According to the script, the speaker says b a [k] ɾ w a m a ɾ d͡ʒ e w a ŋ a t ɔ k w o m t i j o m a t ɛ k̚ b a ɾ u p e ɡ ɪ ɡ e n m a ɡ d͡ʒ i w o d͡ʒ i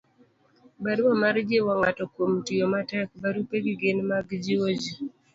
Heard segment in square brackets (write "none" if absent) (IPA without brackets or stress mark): none